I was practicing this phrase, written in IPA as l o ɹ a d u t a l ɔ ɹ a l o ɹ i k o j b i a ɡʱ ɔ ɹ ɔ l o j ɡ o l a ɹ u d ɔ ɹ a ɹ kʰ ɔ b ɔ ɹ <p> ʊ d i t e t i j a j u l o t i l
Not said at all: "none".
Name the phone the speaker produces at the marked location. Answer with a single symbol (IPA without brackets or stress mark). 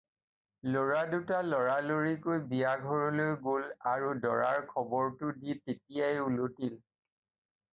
t